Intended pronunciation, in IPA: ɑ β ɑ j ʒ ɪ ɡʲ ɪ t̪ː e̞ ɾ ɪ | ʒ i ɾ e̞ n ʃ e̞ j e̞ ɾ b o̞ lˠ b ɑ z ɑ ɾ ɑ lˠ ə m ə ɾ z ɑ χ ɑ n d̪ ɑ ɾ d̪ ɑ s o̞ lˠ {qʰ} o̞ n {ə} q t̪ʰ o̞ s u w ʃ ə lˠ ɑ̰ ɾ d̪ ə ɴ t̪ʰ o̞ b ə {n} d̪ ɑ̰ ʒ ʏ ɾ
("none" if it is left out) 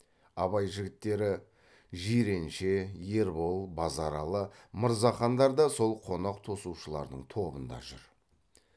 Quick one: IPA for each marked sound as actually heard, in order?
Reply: qʰ, ɑ, n

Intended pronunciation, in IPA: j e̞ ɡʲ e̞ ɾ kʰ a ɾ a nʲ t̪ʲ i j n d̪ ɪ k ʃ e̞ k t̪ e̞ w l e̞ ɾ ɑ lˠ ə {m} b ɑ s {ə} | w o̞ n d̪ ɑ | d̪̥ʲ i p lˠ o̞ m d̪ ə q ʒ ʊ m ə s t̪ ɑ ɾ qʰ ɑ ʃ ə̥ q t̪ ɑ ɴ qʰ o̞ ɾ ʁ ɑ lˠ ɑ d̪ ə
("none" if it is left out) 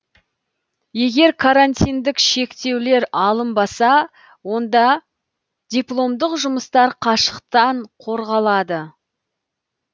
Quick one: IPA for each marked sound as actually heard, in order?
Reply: m, ɑ

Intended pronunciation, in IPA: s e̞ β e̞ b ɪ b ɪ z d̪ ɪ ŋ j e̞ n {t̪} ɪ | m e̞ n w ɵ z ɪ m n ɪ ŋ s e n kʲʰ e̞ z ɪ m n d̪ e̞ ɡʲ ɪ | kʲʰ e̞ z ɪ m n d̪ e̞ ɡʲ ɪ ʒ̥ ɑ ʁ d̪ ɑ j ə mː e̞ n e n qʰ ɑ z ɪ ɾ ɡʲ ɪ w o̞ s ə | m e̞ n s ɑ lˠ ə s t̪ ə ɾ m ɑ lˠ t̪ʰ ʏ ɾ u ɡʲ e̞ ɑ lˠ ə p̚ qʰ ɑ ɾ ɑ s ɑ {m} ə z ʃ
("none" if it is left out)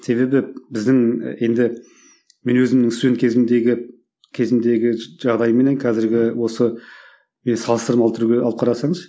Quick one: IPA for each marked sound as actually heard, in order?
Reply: d̪, ɴ

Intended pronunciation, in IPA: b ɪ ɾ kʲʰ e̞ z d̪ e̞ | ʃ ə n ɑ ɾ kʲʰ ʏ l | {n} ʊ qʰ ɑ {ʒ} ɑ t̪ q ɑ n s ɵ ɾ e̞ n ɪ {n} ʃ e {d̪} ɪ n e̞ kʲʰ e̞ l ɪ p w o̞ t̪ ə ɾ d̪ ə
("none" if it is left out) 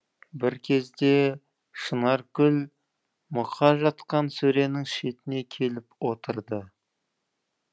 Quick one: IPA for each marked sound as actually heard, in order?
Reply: m, ʒ, ŋ, t̪

